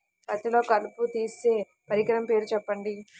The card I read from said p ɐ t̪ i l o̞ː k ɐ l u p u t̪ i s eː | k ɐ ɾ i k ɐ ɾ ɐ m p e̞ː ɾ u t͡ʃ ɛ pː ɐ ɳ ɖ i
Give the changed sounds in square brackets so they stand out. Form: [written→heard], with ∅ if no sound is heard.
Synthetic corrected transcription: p ɐ t̪ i l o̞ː k ɐ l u p u t̪ [i→iː] s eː | [k→p] ɐ ɾ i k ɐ ɾ ɐ m p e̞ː ɾ u t͡ʃ ɛ pː ɐ ɳ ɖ i

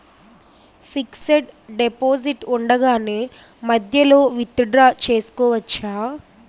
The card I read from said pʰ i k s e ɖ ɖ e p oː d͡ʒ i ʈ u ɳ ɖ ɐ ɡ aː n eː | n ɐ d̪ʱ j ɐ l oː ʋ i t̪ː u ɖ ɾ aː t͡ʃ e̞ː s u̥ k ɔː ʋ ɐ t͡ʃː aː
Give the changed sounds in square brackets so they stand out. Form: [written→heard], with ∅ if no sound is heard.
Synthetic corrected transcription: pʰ i k s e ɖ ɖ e p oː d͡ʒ i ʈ u ɳ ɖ ɐ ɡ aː n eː | [n→m] ɐ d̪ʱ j ɐ l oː ʋ i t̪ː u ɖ ɾ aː t͡ʃ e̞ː s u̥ k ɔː ʋ ɐ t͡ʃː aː

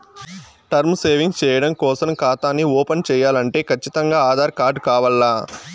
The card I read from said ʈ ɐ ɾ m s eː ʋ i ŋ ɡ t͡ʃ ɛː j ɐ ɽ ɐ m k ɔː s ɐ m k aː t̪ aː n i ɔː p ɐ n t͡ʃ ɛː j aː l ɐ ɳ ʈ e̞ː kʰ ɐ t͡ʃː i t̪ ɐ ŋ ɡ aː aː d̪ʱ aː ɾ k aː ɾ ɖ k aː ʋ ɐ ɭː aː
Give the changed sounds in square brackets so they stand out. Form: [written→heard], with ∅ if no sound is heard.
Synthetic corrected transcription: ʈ ɐ ɾ m s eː ʋ i ŋ ɡ t͡ʃ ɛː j ɐ ɽ ɐ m k ɔː s ɐ m k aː t̪ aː n i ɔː p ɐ n t͡ʃ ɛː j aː l ɐ ɳ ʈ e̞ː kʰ ɐ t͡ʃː i t̪ ɐ ŋ ɡ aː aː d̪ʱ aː ɾ k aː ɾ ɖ k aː ʋ ɐ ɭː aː

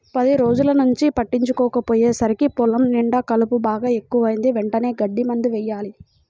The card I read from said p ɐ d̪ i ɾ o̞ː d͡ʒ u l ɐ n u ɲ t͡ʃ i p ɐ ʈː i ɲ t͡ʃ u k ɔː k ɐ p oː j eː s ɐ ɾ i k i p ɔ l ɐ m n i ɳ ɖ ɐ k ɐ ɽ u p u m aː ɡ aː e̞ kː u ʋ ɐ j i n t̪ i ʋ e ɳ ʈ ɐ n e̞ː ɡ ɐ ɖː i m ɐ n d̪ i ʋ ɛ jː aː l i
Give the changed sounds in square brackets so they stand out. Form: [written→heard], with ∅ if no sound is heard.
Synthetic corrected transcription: p ɐ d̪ i ɾ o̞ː d͡ʒ u l ɐ n u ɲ t͡ʃ i p ɐ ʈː i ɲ t͡ʃ u k ɔː k ɐ p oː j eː s ɐ ɾ i k i p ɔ l ɐ m n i ɳ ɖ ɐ k ɐ [ɽ→l] u p u [m→b] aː ɡ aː e̞ kː u ʋ ɐ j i n [t̪→d̪] i ʋ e ɳ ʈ ɐ n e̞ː ɡ ɐ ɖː i m ɐ n d̪ i ʋ ɛ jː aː l i

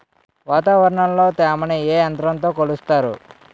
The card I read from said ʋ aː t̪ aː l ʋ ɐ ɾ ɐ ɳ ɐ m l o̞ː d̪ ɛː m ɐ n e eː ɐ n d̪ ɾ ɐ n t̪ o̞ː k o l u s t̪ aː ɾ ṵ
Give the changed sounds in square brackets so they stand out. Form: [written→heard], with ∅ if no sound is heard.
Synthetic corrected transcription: ʋ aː t̪ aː [l→∅] ʋ ɐ ɾ ɐ ɳ ɐ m l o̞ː [d̪→t̪] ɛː m ɐ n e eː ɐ n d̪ ɾ ɐ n t̪ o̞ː k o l u s t̪ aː ɾ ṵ

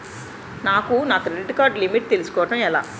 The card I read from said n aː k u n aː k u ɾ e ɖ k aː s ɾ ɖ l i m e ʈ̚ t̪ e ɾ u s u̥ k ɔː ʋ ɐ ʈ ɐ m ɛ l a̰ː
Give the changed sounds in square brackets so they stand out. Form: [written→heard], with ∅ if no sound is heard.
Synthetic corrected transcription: n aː k u n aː k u ɾ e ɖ k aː [s→∅] ɾ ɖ l i m [e→i] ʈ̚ t̪ e [ɾ→l] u s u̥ k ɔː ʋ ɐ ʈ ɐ m ɛ l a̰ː

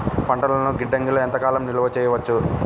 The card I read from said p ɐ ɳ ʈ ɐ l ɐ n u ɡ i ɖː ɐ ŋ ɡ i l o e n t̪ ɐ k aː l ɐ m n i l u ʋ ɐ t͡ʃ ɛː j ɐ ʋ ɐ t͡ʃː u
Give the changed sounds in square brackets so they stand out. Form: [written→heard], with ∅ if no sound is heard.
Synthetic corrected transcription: p ɐ ɳ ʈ ɐ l ɐ n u ɡ i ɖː ɐ ŋ ɡ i l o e n t̪ ɐ k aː l ɐ m n i l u ʋ ɐ t͡ʃ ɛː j ɐ ʋ ɐ t͡ʃː u

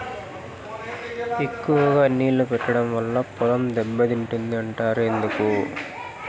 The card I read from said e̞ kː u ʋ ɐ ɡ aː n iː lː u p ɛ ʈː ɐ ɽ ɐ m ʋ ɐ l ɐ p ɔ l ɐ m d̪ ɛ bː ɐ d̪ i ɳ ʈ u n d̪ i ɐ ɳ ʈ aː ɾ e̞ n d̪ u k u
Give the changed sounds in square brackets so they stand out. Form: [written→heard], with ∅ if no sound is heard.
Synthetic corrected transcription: e̞ kː u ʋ ɐ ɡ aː n iː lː u p ɛ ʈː ɐ ɽ ɐ m ʋ ɐ [l→lː] ɐ p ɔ l ɐ m d̪ ɛ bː ɐ d̪ i ɳ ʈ u n d̪ i ɐ ɳ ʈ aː ɾ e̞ n d̪ u k u

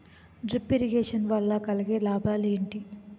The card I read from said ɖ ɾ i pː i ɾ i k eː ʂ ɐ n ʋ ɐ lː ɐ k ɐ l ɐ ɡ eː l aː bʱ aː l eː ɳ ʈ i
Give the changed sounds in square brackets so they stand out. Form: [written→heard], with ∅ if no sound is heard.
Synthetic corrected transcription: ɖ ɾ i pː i ɾ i [k→ɡ] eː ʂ ɐ n ʋ ɐ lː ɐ k ɐ l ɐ ɡ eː l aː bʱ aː l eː ɳ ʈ i

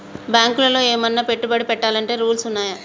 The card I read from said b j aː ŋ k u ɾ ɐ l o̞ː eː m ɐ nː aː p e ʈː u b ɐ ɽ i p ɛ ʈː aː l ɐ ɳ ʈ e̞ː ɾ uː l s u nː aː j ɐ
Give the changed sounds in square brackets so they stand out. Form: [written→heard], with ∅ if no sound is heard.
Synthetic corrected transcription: b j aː ŋ k u [ɾ→l] ɐ l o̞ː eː m ɐ nː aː p e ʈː u b ɐ ɽ i p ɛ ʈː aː l ɐ ɳ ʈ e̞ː ɾ uː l s u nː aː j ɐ

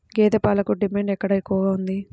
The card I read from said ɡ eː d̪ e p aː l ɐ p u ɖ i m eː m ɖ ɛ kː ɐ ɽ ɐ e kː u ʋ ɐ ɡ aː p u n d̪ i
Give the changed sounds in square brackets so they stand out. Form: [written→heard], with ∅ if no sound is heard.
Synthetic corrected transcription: ɡ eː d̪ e p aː l ɐ [p→k] u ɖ i m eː [m→ɳ] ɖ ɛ kː ɐ ɽ ɐ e kː u ʋ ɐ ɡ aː [p→∅] u n d̪ i

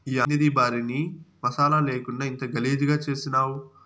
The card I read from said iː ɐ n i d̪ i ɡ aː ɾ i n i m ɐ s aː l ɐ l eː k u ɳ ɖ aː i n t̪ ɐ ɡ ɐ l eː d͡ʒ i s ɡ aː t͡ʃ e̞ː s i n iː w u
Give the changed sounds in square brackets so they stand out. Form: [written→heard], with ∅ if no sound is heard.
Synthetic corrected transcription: iː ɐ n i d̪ i [ɡ→b] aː ɾ i n i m ɐ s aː l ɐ l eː k u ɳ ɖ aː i n t̪ ɐ ɡ ɐ l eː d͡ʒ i [s→∅] ɡ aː t͡ʃ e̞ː s i n [iː→aː] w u

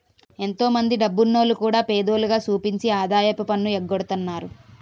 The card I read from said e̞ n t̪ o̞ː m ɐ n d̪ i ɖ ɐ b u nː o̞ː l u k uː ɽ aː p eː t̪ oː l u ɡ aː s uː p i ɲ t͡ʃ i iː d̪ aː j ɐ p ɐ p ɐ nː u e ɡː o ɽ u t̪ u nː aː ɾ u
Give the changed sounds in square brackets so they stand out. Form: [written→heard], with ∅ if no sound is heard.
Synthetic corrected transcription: e̞ n t̪ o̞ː m ɐ n d̪ i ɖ ɐ [b→bː] u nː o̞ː l u k uː ɽ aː p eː [t̪→d̪] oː l u ɡ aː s uː p i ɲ t͡ʃ i [iː→aː] d̪ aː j ɐ p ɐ p ɐ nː u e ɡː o ɽ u t̪ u nː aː ɾ u

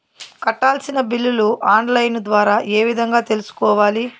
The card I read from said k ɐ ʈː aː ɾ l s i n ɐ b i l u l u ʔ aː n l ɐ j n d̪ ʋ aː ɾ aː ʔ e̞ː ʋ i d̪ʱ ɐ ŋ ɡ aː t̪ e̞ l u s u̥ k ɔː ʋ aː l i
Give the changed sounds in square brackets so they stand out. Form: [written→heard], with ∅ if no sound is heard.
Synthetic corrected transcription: k ɐ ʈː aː [ɾ→∅] l s i n ɐ b i [l→lː] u l u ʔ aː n l ɐ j n d̪ ʋ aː ɾ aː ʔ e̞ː ʋ i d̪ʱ ɐ ŋ ɡ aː t̪ e̞ l u s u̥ k ɔː ʋ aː l i

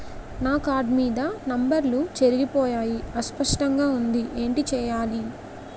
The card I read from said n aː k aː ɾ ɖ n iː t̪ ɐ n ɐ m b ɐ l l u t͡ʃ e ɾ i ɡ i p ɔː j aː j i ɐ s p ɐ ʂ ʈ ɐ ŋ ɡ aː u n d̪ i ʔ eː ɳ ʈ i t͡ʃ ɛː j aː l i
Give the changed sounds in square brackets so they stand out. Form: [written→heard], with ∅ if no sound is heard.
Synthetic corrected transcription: n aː k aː ɾ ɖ [n→m] iː [t̪→d̪] ɐ n ɐ m b ɐ [l→ɾ] l u t͡ʃ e ɾ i ɡ i p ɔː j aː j i ɐ s p ɐ ʂ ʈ ɐ ŋ ɡ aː u n d̪ i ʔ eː ɳ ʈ i t͡ʃ ɛː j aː l i

